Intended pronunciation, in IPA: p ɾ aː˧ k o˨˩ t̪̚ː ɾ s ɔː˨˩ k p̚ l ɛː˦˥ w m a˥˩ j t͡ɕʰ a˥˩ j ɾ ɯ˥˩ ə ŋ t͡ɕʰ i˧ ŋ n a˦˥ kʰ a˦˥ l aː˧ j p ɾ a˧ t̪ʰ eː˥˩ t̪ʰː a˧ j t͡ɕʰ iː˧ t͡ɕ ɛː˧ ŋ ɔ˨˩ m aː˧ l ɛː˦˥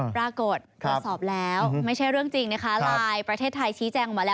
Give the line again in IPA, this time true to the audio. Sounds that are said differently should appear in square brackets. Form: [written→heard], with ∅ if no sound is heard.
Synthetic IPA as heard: p ɾ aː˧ k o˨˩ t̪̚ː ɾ s ɔː˨˩ [k→∅] p̚ l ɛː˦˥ w m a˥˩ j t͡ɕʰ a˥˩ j ɾ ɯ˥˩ ə ŋ [t͡ɕʰ→t͡ɕ] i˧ ŋ n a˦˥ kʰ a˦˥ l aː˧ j p ɾ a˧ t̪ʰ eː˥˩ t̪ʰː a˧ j t͡ɕʰ [iː˧→iː˦˥] t͡ɕ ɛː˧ ŋ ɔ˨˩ m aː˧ l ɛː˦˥